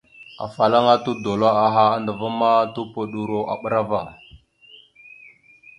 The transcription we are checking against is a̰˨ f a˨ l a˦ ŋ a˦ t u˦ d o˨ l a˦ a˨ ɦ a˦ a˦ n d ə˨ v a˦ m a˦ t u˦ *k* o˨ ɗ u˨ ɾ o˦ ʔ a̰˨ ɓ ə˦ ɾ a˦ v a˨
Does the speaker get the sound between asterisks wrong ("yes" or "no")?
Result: yes